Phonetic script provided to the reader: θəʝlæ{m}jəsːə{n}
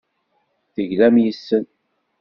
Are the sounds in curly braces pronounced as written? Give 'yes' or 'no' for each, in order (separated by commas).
yes, yes